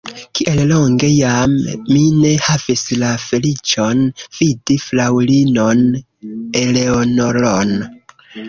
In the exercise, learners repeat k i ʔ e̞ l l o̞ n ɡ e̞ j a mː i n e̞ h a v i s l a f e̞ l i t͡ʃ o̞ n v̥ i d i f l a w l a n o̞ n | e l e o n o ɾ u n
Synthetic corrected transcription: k i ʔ e̞ l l o̞ ŋ ɡ e̞ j a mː i n e̞ h a v i s l a f e̞ l i t͡ʃ o̞ n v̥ i d i f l a w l i n o̞ n | e l e o n o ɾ o n